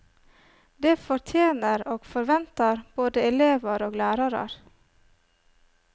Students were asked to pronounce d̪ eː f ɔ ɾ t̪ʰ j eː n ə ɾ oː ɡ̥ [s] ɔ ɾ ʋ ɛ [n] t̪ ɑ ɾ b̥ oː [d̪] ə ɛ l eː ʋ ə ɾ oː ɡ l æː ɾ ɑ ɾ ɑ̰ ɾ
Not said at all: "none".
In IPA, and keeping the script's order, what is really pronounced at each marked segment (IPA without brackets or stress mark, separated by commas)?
f, n, d̪